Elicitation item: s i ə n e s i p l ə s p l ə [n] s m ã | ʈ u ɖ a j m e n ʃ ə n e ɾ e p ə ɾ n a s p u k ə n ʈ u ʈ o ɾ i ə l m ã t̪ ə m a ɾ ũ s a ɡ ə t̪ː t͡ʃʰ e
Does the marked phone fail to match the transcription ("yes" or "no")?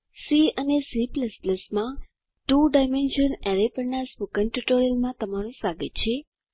yes